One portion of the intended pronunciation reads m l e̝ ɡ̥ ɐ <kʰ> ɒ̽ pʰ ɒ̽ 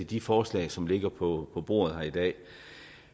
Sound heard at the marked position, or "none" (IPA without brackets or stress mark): pʰ